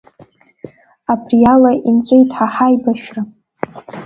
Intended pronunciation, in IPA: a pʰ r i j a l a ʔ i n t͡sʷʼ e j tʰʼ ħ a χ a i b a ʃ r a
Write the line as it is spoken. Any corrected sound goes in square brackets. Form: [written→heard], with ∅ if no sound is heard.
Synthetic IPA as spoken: a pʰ r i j a l a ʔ i n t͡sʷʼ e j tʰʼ ħ a [χ→ħ] a [i→j] b a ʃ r a